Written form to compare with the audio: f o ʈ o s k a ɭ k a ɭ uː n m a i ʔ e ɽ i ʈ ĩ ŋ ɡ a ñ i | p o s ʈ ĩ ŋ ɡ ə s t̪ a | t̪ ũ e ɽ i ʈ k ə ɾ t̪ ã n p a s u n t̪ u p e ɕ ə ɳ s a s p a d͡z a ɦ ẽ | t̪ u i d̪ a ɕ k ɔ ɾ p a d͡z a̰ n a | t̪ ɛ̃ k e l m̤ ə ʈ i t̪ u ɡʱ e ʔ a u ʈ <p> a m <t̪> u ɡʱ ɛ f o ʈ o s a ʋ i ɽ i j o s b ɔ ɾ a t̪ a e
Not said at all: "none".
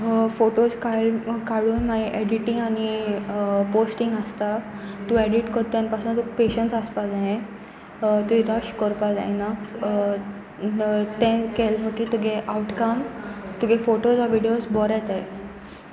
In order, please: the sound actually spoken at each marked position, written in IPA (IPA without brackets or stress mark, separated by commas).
k, t̪